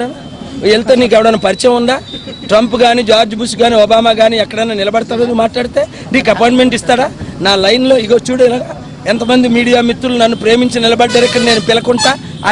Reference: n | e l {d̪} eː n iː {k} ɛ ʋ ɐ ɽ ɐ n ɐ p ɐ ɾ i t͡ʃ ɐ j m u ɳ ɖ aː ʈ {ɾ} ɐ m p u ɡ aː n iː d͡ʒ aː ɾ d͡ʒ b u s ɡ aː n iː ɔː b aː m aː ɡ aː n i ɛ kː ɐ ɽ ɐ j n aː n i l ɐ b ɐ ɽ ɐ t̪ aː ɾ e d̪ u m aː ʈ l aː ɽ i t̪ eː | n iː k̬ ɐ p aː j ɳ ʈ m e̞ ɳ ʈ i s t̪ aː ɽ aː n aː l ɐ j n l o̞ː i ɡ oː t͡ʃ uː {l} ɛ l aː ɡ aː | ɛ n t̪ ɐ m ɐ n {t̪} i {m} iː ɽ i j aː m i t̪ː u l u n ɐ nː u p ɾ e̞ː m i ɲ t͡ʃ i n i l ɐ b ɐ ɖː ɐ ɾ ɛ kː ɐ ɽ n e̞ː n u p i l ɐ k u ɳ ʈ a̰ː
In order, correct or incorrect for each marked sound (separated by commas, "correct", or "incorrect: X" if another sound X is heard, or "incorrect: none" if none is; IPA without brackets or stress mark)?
incorrect: t̪, correct, correct, incorrect: ɽ, incorrect: d̪, correct